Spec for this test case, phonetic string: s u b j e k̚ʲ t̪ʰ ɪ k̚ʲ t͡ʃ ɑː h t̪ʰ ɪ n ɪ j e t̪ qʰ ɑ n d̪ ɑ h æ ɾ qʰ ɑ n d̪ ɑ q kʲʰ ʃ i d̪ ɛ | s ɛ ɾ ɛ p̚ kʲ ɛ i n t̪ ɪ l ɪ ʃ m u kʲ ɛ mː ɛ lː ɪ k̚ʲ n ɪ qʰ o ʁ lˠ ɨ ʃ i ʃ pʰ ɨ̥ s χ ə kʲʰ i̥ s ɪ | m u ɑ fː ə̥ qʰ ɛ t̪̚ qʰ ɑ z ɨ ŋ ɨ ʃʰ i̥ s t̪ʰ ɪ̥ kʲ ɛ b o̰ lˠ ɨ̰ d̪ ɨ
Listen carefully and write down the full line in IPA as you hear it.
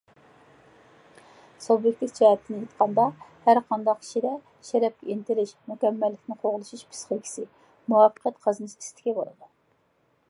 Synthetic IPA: s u b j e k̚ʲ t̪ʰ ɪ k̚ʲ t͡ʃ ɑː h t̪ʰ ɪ n ɪ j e t̪ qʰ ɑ n d̪ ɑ h æ ɾ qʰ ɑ n d̪ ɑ q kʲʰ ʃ i d̪ ɛ | ʃ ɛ ɾ ɛ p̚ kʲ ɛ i n t̪ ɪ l ɪ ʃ m u kʲ ɛ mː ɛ lː ɪ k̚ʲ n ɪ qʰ o ʁ lˠ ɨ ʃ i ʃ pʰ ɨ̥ s χ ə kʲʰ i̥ s ɪ | m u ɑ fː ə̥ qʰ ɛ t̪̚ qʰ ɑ z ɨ n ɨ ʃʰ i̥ s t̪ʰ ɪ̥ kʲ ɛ b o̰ lˠ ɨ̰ d̪ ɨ